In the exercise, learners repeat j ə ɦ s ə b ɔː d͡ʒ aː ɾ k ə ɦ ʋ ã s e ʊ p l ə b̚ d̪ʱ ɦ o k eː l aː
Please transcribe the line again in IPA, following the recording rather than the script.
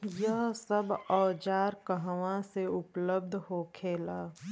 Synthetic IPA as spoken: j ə ɦ s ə b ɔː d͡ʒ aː ɾ k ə ɦ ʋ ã s e ʊ p l ə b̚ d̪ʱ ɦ o kʰ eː l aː